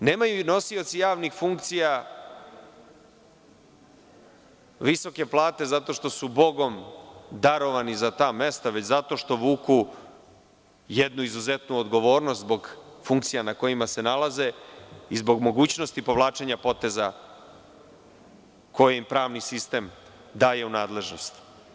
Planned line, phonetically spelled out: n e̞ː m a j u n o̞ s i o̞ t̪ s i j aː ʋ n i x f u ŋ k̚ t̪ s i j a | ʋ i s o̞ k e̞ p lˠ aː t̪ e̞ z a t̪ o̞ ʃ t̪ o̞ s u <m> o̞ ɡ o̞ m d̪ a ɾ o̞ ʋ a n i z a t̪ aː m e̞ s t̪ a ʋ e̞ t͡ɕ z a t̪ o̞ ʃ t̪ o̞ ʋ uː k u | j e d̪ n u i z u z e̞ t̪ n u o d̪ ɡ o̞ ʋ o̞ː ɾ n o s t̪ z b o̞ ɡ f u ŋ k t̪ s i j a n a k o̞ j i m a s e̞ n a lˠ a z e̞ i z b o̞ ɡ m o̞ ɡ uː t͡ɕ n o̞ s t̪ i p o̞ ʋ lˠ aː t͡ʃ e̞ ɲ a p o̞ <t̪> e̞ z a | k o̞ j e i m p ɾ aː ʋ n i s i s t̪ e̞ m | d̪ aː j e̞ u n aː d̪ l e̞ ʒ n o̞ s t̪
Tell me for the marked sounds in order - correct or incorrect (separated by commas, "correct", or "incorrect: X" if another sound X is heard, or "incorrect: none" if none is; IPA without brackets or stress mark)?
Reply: incorrect: b, correct